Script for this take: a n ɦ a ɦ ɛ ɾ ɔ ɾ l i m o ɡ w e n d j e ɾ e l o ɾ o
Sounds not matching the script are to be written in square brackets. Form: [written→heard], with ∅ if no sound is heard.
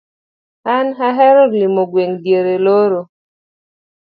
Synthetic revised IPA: a n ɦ a ɦ ɛ ɾ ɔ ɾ l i m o ɡ w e [n→ŋ] d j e ɾ e l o ɾ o